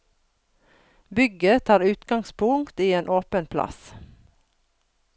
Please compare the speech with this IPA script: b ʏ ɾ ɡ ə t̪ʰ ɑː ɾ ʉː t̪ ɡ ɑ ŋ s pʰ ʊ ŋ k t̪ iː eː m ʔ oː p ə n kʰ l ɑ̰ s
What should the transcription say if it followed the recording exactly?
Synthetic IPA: b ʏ ɡ ə t̪ʰ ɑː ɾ ʉː t̪ ɡ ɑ ŋ s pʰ ʊ ŋ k t̪ iː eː n ʔ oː p ə n pʰ l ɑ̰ s